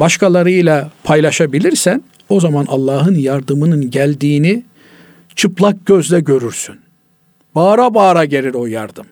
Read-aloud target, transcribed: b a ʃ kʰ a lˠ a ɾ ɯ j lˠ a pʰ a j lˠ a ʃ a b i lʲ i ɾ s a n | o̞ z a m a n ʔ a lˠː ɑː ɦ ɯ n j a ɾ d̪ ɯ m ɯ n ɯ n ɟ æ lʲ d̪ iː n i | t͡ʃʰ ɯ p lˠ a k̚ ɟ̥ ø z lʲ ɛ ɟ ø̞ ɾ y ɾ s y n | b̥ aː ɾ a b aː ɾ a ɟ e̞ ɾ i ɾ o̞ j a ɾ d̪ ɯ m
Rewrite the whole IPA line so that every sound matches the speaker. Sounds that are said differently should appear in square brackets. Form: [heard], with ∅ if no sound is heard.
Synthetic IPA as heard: b a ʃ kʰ a lˠ a ɾ ɯ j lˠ a pʰ a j lˠ a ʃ a b i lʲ i ɾ s [æ] n | o̞ z a m a n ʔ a lˠː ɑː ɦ ɯ n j a ɾ d̪ ɯ m ɯ n ɯ n ɟ æ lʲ d̪ iː n i | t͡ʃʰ ɯ p lˠ a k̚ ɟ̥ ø z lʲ ɛ ɟ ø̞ ɾ y ɾ s y n | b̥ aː ɾ a b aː ɾ a ɟ e̞ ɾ i ɾ o̞ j a ɾ d̪ ɯ m